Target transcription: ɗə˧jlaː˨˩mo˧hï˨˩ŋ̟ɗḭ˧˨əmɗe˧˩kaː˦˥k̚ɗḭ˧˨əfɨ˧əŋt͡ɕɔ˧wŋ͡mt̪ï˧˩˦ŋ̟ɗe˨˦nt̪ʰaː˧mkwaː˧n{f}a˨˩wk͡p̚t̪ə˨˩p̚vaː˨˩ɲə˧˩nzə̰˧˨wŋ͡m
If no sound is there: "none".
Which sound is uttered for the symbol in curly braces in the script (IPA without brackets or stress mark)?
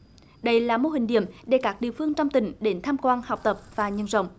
h